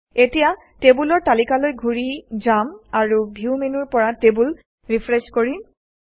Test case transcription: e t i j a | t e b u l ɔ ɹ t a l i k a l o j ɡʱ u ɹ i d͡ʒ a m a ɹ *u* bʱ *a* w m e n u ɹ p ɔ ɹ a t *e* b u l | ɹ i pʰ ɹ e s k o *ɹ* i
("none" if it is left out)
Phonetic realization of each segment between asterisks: u, i, e, ɹ

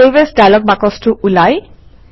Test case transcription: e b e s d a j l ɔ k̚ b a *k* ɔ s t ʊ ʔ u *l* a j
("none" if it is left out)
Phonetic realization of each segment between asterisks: k, l

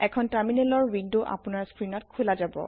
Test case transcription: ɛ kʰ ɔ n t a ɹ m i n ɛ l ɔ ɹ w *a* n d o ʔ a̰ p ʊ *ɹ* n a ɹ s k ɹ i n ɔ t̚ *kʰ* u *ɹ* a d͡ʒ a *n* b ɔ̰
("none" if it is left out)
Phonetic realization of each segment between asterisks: i, none, kʰ, l, none

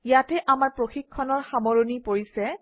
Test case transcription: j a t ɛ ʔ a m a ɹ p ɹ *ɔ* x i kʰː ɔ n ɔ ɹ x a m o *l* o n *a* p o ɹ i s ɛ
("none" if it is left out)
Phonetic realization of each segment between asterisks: o, ɹ, i

